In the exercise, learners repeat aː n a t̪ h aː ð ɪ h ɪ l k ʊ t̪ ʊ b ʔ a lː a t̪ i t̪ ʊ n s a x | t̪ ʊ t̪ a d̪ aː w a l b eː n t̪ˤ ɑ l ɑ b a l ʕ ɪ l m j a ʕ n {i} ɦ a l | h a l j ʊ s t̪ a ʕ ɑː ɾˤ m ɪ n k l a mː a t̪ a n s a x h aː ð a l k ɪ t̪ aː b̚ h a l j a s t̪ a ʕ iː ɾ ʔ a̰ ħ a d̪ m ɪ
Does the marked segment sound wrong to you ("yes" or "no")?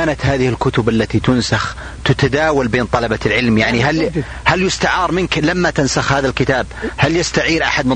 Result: no